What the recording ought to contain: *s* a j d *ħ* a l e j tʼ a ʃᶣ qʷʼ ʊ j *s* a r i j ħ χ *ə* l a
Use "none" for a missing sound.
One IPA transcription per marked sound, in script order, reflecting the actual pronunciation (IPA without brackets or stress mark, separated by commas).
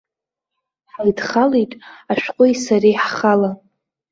ħ, χ, s, a